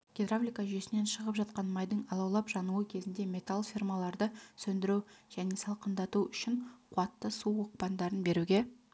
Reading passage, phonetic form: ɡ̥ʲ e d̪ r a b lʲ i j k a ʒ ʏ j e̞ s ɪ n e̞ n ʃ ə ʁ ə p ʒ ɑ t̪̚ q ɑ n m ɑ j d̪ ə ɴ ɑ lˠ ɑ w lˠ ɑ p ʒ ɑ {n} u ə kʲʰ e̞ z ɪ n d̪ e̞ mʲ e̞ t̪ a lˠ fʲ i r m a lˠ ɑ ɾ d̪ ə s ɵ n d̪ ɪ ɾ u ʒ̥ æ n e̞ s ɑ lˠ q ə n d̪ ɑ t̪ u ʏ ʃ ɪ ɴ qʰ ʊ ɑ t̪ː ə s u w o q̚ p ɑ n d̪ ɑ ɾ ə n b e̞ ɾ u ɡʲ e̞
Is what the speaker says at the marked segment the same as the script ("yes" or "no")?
yes